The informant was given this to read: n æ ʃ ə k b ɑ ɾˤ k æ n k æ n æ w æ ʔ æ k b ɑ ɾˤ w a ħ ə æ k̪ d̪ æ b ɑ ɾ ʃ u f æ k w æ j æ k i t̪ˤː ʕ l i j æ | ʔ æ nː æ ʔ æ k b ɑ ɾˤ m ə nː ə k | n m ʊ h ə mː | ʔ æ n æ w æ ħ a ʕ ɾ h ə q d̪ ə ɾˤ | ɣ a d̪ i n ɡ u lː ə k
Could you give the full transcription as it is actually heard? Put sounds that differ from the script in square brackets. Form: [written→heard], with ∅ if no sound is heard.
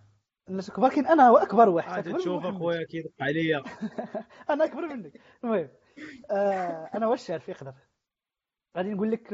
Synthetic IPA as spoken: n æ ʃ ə k b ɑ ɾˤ k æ n [k→ʔ] æ n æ w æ ʔ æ k b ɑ ɾˤ w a ħ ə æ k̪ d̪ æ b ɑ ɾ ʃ u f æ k w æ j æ k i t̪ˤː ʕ l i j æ | ʔ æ [nː→n] æ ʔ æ k b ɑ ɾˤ m ə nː ə k | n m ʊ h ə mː | ʔ æ n æ w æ [ħ→ʃ] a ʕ ɾ [h→f] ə q d̪ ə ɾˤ | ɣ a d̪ i n ɡ u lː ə k